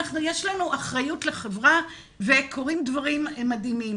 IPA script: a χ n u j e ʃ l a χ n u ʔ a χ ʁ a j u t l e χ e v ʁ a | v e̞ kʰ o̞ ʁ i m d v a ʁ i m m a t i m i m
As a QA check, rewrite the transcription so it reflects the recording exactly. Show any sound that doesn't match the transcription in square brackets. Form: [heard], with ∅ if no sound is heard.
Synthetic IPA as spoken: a χ n u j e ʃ l a [∅] n u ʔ a χ ʁ a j u t l e χ e v ʁ a | v e̞ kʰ o̞ ʁ i m d v a ʁ i m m a [d] i m i m